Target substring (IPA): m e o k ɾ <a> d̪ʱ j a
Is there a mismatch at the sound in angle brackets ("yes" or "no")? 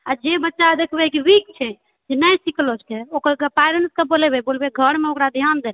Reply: no